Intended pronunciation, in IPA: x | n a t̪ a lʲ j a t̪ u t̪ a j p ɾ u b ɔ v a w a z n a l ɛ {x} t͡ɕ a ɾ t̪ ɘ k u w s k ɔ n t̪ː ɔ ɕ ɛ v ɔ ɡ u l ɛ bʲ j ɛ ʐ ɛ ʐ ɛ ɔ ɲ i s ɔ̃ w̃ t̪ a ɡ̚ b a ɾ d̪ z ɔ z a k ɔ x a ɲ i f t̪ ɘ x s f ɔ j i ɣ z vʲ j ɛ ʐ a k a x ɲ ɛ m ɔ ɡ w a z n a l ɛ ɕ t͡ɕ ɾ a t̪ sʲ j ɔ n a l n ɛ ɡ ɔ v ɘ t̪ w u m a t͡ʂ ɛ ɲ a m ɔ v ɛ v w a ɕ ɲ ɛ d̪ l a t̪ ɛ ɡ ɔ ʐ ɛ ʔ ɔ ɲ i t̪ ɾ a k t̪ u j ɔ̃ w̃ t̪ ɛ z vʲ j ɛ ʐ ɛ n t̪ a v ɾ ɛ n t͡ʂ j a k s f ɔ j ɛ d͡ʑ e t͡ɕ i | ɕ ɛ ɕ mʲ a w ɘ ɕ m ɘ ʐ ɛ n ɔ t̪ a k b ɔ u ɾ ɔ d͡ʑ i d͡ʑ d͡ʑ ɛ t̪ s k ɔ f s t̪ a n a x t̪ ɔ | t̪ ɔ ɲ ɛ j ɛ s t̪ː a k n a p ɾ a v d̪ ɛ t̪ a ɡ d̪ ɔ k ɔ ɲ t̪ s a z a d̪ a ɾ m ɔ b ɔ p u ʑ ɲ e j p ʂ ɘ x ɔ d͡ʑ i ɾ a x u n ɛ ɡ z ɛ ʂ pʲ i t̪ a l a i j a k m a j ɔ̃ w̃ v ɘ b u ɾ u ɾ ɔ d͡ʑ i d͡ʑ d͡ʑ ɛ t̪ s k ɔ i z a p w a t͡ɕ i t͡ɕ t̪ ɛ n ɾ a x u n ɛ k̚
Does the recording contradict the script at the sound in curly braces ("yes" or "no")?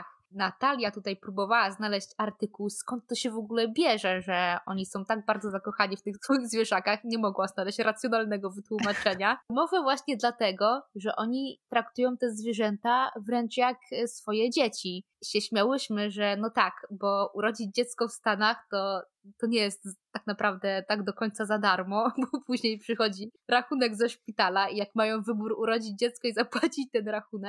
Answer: yes